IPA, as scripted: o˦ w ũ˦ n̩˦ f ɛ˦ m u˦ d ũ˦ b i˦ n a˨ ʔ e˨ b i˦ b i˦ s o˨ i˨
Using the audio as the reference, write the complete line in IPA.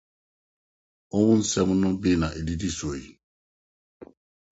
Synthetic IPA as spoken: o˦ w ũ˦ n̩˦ s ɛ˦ m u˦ n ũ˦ b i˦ n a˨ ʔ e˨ d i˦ d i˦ s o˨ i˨